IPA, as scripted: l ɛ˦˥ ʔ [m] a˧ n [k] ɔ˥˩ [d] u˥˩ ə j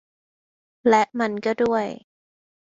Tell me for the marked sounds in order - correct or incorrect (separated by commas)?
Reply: correct, correct, correct